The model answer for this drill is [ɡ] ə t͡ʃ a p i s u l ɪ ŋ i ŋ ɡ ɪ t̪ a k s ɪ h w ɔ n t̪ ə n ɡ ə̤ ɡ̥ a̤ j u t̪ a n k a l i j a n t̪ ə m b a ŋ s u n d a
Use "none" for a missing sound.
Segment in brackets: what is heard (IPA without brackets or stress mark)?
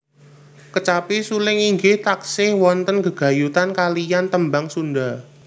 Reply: k